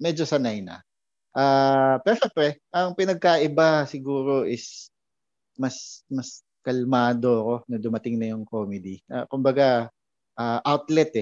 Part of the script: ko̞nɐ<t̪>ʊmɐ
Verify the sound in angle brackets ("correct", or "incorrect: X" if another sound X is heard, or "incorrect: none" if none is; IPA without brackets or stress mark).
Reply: incorrect: d̪